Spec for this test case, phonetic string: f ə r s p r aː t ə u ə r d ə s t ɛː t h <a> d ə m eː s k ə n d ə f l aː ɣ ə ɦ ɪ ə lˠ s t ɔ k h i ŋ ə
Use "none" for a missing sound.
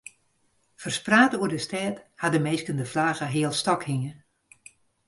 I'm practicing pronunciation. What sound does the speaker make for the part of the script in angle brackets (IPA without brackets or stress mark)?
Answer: a